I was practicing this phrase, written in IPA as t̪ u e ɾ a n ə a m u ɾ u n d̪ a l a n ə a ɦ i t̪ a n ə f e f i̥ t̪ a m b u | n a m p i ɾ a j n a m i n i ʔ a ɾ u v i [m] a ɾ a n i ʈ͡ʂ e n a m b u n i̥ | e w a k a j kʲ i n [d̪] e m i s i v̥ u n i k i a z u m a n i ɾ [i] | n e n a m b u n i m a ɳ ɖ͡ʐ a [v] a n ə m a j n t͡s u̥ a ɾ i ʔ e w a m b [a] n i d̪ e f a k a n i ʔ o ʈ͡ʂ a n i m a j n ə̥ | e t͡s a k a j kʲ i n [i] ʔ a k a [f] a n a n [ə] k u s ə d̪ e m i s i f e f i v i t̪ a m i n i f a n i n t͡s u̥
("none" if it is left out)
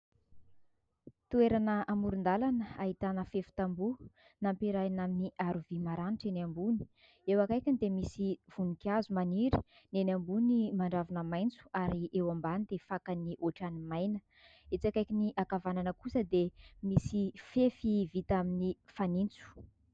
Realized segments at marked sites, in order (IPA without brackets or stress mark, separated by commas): m, d̪, i, v, a, i, v, ə